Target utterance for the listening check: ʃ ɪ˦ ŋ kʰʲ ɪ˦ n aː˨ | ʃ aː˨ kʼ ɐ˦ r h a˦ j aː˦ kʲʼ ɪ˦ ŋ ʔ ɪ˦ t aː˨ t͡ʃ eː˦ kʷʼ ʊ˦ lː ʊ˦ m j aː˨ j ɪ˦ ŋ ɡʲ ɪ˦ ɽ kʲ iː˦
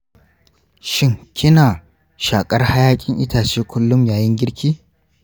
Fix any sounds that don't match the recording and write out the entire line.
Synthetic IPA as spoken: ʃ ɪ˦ ŋ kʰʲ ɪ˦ n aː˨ | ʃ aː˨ kʼ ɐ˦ r h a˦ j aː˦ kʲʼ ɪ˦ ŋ ʔ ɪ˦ t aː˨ t͡ʃ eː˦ kʷ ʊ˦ lː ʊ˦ m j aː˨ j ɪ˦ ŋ ɡʲ ɪ˦ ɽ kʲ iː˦